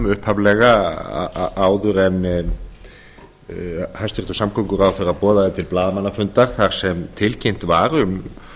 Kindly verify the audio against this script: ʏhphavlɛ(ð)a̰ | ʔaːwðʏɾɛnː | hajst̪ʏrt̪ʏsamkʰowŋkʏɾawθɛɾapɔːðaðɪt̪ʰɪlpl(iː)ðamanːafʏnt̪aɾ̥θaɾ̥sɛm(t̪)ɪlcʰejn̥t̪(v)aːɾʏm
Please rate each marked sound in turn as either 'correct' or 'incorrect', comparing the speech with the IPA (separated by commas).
incorrect, incorrect, incorrect, correct